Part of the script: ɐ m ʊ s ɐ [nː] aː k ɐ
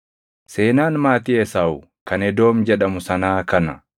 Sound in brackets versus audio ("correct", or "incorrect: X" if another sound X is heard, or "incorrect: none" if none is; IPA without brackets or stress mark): incorrect: n